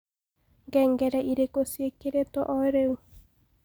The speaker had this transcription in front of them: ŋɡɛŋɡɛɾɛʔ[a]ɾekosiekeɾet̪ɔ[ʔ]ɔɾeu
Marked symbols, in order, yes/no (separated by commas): no, yes